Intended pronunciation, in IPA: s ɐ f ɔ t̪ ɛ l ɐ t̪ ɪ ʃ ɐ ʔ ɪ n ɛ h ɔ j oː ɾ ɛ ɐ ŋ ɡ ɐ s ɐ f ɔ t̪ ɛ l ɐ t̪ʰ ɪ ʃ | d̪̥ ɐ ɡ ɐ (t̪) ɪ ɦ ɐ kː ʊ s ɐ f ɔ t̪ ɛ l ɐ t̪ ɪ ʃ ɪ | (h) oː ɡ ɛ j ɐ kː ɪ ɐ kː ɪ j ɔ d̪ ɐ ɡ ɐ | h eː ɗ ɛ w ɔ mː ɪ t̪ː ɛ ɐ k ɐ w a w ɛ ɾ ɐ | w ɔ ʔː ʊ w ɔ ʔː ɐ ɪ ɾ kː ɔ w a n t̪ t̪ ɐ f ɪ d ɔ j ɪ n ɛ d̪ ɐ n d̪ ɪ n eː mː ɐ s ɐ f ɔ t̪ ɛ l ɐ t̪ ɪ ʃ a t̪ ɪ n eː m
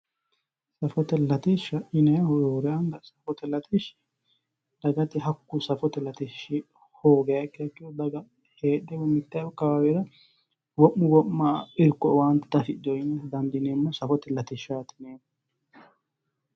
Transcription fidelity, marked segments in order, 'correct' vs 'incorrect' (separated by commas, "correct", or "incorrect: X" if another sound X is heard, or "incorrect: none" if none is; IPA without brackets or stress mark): correct, correct